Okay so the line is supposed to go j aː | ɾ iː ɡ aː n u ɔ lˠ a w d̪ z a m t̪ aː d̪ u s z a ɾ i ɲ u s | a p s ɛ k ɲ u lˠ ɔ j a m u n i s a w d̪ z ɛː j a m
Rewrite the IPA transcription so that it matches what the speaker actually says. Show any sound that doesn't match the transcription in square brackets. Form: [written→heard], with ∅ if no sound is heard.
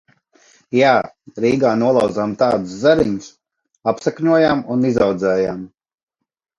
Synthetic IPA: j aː | ɾ iː ɡ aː n u ɔ lˠ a w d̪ z a m t̪ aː d̪ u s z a ɾ i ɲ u s | a p s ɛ k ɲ u [lˠ→∅] ɔ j a m u n i [s→z] a w d̪ z ɛː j a m